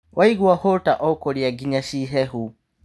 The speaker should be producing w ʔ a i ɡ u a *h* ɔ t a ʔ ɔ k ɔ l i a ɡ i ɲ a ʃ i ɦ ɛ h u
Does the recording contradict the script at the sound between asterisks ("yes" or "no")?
no